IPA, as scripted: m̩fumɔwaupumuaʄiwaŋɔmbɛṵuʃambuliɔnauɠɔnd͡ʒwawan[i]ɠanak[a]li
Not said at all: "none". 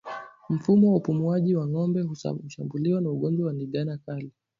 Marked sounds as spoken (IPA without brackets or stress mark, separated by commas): i, a